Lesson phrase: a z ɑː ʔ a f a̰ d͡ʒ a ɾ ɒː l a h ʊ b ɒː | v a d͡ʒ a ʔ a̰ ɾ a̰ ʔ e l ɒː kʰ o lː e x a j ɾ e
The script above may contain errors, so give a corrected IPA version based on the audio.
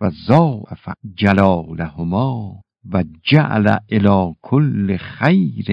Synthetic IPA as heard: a z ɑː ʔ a f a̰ d͡ʒ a l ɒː l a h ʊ m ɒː | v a d͡ʒ a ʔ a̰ l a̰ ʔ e l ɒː kʰ o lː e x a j ɾ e